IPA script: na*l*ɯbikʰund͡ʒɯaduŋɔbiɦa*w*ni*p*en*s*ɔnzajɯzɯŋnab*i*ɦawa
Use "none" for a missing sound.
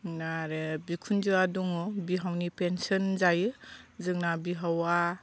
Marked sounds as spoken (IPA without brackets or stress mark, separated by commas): ɾ, w, p, s, i